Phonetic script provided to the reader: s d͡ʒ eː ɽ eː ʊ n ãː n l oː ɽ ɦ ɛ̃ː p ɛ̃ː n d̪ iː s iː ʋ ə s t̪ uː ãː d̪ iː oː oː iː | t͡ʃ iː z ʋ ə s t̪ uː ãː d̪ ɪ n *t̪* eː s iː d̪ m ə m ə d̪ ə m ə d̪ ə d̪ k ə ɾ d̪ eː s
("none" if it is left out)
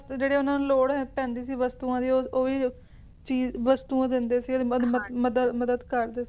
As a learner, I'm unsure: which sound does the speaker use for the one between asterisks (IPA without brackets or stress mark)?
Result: d̪